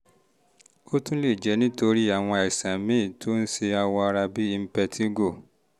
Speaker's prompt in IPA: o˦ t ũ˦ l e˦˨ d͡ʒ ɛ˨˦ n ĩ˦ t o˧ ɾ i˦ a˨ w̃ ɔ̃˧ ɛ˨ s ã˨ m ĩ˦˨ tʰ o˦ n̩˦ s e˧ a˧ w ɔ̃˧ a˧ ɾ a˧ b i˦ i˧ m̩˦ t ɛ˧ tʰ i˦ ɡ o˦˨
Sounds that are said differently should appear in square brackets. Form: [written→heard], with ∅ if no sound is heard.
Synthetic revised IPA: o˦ t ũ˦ l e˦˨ d͡ʒ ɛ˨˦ n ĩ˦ t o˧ ɾ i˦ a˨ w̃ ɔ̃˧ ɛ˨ s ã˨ m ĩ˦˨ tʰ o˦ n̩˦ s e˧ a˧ w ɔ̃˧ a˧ ɾ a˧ b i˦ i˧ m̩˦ [t→p] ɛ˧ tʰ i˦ ɡ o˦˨